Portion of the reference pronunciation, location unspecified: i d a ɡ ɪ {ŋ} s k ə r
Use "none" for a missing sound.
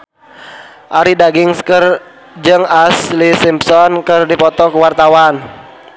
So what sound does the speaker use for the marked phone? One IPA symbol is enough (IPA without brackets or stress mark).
ŋ